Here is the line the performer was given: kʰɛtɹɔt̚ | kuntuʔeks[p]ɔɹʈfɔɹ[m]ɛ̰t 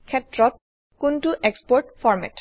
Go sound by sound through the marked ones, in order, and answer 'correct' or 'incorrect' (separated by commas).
correct, correct